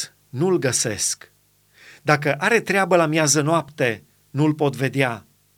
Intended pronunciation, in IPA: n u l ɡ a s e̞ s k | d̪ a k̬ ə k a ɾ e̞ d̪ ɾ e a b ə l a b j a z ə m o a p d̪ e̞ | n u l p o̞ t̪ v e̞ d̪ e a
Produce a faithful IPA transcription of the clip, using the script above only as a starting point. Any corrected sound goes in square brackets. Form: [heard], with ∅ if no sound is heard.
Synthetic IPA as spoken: n u l ɡ [ə] s e̞ s k | d̪ a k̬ ə [ʔ] a ɾ e̞ [t̪] ɾ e a b ə l a [m] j a z ə [n] o a p [t̪] e̞ | n u l p o̞ t̪ v e̞ d̪ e a